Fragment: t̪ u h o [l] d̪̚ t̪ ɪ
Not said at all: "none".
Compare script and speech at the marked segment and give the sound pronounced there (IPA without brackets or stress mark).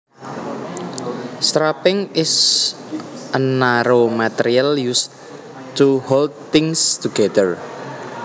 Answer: l